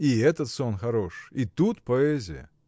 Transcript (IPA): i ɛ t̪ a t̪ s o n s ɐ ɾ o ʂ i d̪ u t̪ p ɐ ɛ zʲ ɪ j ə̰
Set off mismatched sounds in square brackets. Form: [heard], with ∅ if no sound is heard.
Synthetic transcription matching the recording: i ɛ t̪ [ə] t̪ s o n [x] ɐ ɾ o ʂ i [t̪] u t̪ p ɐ ɛ zʲ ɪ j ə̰